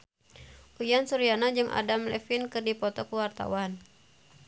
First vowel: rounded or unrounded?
rounded